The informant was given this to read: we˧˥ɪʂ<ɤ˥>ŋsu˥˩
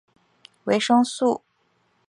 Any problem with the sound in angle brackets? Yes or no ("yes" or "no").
no